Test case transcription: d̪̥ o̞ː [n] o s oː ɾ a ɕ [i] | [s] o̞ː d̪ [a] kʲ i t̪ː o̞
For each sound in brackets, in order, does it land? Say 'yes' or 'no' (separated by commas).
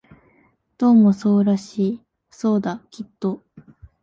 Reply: no, no, yes, yes